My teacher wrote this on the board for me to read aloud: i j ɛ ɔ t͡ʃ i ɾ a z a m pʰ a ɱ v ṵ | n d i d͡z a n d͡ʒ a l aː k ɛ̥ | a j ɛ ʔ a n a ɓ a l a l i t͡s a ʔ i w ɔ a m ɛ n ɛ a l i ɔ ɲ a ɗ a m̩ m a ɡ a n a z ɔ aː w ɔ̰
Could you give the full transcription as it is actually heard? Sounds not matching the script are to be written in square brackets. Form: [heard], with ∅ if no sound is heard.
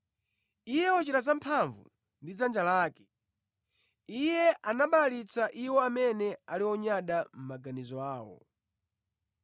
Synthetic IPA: i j ɛ ɔ t͡ʃ i ɾ a z a m pʰ a ɱ v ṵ | n d i d͡z a n d͡ʒ a l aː k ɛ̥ | [i] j ɛ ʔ a n a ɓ a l a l i t͡s a ʔ i w ɔ a m ɛ n ɛ a l i ɔ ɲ a ɗ a m̩ m a ɡ a n [i] z ɔ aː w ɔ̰